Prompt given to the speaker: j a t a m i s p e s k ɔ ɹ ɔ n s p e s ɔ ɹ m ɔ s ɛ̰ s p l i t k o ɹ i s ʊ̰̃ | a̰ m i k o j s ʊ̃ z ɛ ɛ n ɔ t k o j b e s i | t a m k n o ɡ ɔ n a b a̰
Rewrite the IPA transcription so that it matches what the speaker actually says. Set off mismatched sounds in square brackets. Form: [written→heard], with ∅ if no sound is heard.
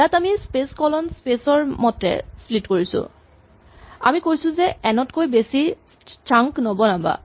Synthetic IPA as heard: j a t a m i s p e s k ɔ [ɹ→l] ɔ n s p e s ɔ ɹ m ɔ [s→t] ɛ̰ s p l i t k o ɹ i s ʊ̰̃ | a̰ m i k o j s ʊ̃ z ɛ ɛ n ɔ t k o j b e s i | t a [m→ŋ] k n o [ɡ→b] ɔ n a b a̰